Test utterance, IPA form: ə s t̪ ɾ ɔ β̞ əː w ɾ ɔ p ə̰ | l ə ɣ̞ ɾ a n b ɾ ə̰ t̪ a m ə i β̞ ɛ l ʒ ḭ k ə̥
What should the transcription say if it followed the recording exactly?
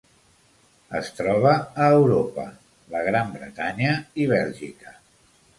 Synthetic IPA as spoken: ə s t̪ ɾ ɔ β̞ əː w ɾ o p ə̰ | l ə ɣ̞ ɾ a m b ɾ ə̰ t̪ a ɲ ə i β̞ ɛ l ʒ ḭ k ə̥